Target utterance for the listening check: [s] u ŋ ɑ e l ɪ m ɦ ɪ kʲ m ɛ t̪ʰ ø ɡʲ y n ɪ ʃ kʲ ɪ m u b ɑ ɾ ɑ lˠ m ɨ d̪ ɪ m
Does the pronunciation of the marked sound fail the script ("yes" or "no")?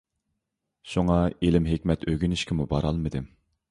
yes